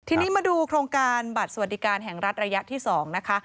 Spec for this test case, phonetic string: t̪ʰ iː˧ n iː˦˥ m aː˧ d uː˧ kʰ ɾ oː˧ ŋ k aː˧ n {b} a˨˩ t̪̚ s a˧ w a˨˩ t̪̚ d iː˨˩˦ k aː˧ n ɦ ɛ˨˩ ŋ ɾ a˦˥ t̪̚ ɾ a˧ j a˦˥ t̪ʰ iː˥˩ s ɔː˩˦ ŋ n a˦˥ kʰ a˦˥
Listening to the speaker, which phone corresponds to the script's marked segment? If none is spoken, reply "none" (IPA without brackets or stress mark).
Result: b